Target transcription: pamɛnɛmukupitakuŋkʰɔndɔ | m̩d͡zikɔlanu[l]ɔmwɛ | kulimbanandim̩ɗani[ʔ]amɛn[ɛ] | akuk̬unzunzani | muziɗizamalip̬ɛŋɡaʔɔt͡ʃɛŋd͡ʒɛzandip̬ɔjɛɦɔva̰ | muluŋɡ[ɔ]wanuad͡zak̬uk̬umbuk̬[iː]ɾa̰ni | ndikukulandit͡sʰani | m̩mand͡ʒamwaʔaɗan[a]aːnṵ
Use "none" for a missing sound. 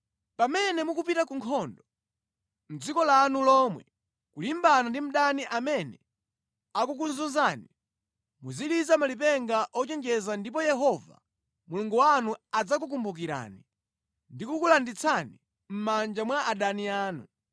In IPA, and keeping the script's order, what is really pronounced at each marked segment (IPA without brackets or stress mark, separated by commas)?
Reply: l, ʔ, ɛ, u, i, i